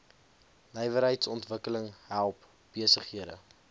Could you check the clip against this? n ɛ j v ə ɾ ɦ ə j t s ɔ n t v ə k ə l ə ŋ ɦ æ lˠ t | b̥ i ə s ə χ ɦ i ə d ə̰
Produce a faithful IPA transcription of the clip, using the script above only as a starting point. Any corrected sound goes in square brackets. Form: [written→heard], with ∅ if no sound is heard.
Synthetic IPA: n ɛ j v ə ɾ ɦ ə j t s ɔ n t v ə k ə l ə ŋ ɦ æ lˠ [t→p] | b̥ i ə s ə χ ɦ i ə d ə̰